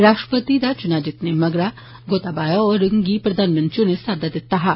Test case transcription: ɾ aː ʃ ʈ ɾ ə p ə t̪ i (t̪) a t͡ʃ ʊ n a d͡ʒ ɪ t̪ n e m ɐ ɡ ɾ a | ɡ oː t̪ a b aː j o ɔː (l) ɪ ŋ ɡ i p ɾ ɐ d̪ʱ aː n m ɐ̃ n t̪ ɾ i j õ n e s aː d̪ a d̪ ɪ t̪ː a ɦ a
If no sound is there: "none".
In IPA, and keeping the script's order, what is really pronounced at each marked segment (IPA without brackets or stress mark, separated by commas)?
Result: d̪, ɾ